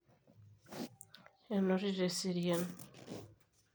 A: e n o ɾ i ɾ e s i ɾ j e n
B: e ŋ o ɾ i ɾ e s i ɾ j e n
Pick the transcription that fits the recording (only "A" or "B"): A